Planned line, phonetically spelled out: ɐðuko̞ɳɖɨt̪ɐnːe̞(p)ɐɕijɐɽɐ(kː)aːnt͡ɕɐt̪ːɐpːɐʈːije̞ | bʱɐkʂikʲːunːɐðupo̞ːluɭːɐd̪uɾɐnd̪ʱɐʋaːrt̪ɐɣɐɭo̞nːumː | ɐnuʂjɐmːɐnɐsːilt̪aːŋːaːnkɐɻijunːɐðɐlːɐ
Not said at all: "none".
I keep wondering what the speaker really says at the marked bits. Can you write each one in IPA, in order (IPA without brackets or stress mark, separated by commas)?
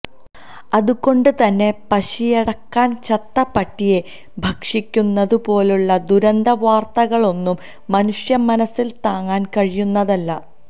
p, kː